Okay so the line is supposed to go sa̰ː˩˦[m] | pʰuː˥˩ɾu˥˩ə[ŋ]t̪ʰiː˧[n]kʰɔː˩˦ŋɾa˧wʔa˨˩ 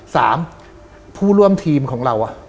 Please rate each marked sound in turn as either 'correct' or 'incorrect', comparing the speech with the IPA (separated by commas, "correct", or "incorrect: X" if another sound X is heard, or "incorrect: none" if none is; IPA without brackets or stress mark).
correct, incorrect: m, incorrect: m